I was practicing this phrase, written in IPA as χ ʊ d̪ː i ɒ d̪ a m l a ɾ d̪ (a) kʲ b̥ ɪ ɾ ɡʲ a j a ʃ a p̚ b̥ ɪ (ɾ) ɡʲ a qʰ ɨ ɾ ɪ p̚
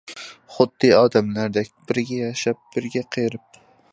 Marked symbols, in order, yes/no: yes, yes

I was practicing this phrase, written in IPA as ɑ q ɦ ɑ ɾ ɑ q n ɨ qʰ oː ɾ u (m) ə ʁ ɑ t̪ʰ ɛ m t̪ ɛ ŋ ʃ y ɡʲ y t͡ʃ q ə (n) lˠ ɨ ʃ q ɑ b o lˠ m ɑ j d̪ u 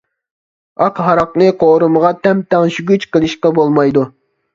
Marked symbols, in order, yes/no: yes, no

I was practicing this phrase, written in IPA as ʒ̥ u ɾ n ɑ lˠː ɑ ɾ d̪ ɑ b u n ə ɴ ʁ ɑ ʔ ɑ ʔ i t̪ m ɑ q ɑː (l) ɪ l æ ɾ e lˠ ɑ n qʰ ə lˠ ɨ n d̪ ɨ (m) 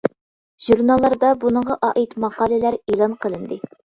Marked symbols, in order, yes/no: yes, no

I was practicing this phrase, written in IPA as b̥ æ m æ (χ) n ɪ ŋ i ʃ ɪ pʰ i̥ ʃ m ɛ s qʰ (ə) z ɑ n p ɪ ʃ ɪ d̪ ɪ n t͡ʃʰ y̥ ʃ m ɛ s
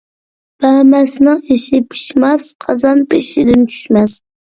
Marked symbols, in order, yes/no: no, no

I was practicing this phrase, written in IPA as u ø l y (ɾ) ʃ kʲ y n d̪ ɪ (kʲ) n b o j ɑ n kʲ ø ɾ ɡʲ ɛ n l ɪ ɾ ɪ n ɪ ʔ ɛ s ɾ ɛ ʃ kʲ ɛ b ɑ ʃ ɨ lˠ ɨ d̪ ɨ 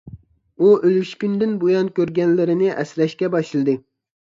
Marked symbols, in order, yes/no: no, no

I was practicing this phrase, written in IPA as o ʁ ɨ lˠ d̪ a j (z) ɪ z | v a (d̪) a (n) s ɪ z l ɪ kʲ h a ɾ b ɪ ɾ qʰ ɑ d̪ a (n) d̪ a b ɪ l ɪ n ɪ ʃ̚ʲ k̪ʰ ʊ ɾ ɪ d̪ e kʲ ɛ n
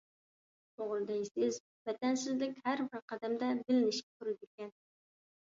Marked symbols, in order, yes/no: no, no, yes, no

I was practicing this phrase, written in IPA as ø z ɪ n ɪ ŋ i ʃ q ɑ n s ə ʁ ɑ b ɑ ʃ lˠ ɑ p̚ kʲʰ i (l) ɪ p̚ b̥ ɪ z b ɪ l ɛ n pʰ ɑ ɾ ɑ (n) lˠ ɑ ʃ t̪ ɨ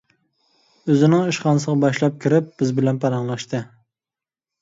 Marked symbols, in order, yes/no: no, no

